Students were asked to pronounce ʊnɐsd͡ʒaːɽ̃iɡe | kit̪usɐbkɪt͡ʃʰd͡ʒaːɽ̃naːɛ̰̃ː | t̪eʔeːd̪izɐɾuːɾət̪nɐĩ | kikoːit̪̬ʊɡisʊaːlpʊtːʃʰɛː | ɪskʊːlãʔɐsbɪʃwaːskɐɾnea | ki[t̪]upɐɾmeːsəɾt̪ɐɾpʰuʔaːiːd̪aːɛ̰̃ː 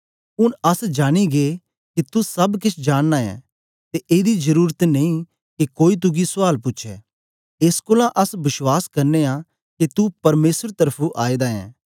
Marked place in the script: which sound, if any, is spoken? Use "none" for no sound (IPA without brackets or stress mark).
t̪